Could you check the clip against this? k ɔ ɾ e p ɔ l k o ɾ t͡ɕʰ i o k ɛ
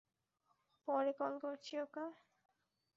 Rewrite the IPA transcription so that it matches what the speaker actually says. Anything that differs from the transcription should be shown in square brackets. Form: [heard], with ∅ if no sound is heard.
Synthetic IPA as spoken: [p] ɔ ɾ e [k] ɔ l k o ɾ t͡ɕʰ i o k [a]